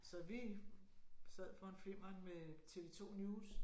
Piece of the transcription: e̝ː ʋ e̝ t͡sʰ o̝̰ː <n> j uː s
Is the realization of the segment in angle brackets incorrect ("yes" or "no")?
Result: no